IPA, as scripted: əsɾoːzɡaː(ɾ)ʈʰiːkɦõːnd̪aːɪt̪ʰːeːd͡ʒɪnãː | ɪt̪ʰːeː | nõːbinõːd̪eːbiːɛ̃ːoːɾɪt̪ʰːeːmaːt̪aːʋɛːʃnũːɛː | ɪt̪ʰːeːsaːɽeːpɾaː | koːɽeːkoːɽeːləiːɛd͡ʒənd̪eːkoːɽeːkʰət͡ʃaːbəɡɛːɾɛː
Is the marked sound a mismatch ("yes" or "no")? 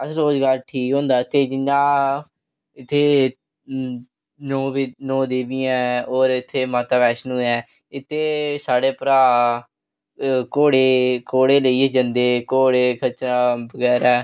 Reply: no